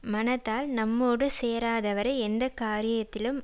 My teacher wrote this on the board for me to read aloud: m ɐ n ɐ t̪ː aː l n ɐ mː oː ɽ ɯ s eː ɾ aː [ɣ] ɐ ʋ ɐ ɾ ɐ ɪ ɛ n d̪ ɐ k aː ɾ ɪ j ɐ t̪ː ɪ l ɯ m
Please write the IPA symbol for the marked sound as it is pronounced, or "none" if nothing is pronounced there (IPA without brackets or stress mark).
ð